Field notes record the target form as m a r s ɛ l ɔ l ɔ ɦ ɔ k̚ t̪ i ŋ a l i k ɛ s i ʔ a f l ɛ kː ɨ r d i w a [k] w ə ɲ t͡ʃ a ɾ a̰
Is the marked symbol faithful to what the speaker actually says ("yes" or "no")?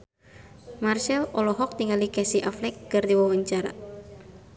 no